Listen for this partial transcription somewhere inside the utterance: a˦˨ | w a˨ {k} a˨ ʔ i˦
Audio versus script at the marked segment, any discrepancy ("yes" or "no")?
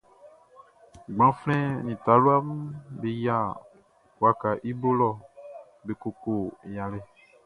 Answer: no